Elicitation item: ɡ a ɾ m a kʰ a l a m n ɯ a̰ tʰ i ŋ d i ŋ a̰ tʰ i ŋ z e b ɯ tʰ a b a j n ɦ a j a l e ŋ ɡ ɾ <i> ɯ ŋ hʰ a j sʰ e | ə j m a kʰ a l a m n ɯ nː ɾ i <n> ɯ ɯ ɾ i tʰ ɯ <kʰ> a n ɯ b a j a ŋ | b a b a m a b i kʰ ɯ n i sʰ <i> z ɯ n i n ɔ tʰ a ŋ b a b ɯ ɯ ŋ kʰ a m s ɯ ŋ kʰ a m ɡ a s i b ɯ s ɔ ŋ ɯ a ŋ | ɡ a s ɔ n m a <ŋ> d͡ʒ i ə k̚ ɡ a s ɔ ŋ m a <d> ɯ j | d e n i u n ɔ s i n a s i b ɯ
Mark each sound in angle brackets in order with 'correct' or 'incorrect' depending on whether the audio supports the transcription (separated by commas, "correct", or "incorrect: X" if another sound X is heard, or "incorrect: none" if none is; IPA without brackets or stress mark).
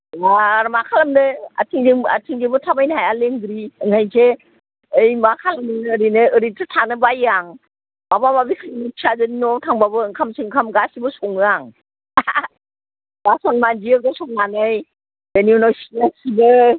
correct, correct, incorrect: tʰ, incorrect: a, incorrect: n, incorrect: n